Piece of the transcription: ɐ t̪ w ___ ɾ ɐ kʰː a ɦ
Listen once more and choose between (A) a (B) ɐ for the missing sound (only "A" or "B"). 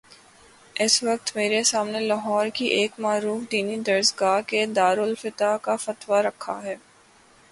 A